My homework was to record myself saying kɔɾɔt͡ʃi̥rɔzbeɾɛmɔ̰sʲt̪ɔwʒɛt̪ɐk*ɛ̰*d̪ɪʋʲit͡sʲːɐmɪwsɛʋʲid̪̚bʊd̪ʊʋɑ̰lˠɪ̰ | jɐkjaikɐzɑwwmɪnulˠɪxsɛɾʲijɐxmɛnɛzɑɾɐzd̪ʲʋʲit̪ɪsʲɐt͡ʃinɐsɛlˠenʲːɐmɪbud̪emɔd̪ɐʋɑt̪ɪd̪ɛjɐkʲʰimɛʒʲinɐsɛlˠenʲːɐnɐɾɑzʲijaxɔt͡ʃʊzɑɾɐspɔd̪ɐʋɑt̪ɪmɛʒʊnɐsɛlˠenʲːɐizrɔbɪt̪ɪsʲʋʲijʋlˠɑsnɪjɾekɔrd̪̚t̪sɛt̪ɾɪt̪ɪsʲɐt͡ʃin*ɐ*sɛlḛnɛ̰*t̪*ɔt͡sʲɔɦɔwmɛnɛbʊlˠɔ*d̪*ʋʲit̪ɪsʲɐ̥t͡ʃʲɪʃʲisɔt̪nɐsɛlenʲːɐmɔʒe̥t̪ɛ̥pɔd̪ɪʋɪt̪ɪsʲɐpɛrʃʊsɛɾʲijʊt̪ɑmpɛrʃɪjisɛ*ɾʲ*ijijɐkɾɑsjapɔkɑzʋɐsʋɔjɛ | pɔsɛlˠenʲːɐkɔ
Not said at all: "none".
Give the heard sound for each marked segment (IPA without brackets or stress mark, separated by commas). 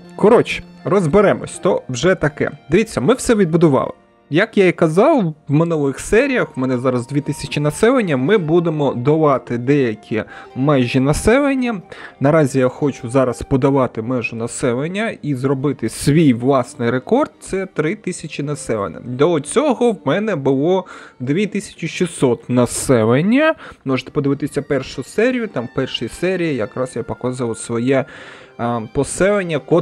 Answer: ɛ̰, ɐ, d̪, d̪, ɾʲ